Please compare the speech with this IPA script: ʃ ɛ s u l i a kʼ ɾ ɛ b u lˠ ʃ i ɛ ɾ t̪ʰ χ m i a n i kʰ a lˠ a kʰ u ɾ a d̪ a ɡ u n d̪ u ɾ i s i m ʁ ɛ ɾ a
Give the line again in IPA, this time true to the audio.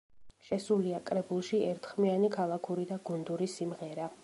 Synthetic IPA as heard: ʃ ɛ s u l i a kʼ ɾ ɛ b u lˠ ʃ i ɛ ɾ t̪ʰ χ m i a n i kʰ a lˠ a kʰ u ɾ i d̪ a ɡ u n d̪ u ɾ i s i m ʁ ɛ ɾ a